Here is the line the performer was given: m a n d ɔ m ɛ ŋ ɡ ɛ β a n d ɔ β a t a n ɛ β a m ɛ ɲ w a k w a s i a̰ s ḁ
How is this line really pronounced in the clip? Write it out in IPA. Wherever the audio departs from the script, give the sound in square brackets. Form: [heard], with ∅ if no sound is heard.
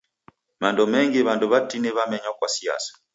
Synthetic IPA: m a n d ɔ m ɛ ŋ ɡ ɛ β a n d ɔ β a t [i] n ɛ β a m ɛ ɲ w a k w a s i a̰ s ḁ